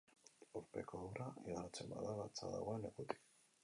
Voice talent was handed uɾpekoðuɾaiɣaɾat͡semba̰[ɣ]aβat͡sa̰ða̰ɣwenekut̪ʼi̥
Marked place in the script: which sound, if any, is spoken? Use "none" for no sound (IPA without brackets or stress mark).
ð